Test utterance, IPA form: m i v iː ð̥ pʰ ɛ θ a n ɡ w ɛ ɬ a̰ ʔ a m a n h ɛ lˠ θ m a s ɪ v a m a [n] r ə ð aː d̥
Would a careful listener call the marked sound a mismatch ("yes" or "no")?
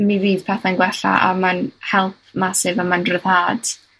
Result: no